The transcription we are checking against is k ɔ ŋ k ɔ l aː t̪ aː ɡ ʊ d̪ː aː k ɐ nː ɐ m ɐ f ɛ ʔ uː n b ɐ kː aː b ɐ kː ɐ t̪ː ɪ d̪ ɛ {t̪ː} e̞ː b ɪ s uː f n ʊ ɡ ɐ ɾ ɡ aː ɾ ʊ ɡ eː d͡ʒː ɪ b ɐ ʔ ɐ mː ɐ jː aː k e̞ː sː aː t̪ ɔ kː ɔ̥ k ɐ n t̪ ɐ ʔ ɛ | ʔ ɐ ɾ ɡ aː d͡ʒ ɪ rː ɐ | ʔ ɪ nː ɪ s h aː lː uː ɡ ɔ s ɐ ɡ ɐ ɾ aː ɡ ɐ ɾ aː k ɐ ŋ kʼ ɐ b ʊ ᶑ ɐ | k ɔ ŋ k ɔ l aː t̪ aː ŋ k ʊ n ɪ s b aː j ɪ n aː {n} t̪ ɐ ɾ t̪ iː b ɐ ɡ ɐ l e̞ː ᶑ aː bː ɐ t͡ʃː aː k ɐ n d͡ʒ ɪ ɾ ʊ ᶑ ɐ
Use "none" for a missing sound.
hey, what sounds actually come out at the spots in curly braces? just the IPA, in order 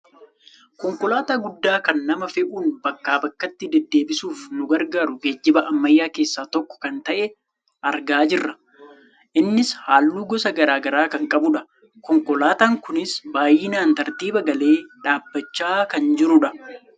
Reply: d̪ː, n

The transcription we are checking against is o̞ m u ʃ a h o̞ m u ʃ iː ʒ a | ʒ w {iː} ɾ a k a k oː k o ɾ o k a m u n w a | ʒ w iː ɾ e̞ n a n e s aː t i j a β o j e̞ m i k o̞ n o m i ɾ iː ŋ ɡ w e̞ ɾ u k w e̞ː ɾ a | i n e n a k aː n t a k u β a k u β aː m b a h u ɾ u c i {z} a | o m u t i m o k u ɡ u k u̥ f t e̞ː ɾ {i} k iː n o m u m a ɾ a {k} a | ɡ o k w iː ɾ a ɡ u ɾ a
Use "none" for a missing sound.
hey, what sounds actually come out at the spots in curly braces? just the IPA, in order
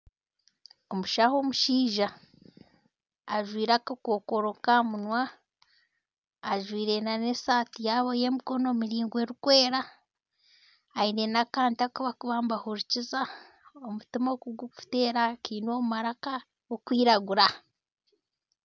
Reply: iː, z, a, k

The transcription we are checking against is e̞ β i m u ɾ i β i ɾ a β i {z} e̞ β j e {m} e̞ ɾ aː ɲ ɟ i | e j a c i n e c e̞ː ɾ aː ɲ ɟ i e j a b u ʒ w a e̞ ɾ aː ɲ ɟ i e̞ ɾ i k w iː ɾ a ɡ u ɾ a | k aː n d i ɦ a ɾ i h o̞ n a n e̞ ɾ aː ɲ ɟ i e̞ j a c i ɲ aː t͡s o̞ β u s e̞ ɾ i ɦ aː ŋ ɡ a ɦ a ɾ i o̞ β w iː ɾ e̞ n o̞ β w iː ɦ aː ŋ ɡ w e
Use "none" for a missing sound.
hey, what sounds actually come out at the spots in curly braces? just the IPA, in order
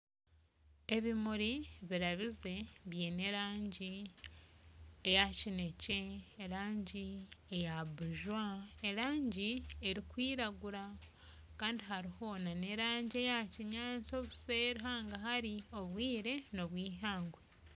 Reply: z, n

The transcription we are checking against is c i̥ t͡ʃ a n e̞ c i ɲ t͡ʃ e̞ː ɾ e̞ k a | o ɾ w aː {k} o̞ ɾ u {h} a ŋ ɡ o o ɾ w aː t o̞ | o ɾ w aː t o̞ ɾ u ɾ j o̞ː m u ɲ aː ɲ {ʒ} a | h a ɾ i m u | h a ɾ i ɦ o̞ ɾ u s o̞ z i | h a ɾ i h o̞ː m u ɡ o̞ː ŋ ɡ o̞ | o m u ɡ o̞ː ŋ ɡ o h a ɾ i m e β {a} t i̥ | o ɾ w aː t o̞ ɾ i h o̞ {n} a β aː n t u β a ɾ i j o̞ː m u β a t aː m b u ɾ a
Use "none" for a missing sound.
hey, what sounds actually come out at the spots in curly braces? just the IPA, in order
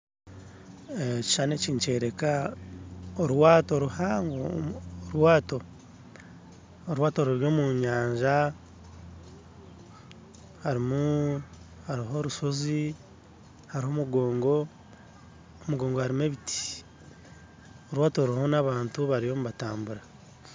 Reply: t, h, ʒ, i, n

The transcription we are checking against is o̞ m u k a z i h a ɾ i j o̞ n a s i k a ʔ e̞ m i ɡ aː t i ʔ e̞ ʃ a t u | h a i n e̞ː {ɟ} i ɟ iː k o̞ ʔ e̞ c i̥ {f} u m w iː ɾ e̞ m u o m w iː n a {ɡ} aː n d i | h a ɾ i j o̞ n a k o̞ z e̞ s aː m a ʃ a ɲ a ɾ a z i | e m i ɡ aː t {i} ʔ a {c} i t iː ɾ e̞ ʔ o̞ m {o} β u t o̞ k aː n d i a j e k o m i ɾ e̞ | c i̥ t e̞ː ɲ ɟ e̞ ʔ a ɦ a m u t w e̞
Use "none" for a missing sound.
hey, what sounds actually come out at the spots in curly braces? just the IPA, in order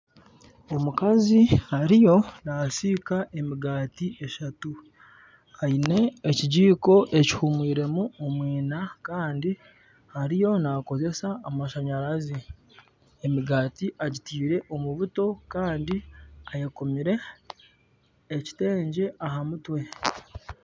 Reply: c, h, k, i, ɟ, u

